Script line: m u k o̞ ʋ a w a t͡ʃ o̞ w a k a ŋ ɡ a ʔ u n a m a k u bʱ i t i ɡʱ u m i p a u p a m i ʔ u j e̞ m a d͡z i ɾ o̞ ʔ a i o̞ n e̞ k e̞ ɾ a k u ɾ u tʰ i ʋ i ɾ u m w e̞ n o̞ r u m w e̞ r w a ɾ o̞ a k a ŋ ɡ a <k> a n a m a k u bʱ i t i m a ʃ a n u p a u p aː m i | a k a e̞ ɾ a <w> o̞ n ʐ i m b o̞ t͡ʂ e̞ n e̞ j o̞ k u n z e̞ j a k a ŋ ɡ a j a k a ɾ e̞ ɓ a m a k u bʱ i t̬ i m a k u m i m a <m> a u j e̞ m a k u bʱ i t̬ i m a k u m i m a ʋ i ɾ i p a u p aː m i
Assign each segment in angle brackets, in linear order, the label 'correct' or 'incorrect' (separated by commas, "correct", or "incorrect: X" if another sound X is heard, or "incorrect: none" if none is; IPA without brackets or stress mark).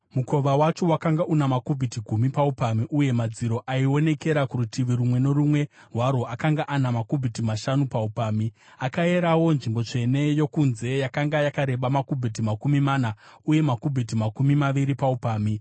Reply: incorrect: ʔ, correct, incorrect: n